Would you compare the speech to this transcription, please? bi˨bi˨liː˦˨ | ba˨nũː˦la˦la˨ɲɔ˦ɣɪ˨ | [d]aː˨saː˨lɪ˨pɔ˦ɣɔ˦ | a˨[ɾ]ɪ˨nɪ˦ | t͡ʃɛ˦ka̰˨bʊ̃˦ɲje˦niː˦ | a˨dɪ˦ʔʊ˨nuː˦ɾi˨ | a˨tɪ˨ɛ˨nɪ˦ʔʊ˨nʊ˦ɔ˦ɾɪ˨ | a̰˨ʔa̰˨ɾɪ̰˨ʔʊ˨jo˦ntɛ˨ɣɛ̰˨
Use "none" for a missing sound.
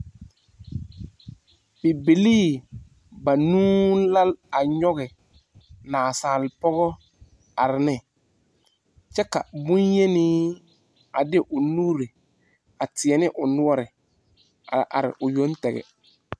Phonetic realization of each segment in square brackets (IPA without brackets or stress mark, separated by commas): n, ɾ